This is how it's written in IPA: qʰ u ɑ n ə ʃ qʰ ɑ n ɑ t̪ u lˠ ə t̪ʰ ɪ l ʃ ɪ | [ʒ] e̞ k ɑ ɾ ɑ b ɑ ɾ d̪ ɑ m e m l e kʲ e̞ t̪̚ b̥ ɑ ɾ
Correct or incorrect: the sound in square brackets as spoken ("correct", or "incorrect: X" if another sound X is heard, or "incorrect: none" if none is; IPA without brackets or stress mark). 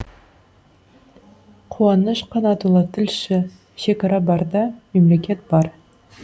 incorrect: ʃ